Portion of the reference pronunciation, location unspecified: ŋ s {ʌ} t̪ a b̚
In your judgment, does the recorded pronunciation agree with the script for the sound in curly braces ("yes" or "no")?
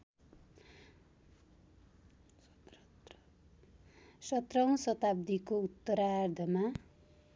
yes